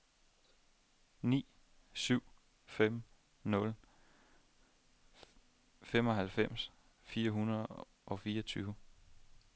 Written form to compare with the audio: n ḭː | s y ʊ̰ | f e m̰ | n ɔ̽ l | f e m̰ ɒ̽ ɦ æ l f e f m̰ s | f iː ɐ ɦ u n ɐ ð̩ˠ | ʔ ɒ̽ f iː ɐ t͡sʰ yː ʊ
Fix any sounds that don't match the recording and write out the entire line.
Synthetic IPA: n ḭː | s y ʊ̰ | f e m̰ | n ɔ̽ l | f e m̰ ɒ̽ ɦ æ l f e m̰ s | f iː ɐ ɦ u n ɐ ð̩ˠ | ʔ ɒ̽ f iː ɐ t͡sʰ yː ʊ